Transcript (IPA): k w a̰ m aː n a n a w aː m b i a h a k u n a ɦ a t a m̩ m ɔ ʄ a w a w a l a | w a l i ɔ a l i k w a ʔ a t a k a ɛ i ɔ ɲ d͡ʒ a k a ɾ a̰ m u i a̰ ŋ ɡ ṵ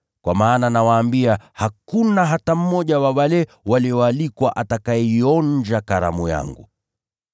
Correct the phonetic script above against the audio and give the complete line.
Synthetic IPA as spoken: k w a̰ m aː n a n a w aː m b i a h a k u n a ɦ a t a m̩ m ɔ ʄ a w a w a l ɛ | w a l i ɔ a l i k w a ʔ a t a k a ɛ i ɔ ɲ d͡ʒ a k a ɾ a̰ m u j a̰ ŋ ɡ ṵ